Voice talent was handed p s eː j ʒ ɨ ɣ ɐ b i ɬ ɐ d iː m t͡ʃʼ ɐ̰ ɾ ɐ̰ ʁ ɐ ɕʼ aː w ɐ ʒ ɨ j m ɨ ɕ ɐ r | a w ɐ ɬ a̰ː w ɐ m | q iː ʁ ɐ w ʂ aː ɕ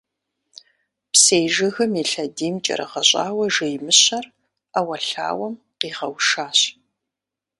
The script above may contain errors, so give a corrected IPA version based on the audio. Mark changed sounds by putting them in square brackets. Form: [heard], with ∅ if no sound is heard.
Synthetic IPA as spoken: p s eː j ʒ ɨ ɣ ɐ [m] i ɬ ɐ d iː m t͡ʃʼ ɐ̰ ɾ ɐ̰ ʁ ɐ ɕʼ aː w ɐ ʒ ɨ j m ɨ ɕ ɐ r | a w ɐ ɬ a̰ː w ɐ m | q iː ʁ ɐ w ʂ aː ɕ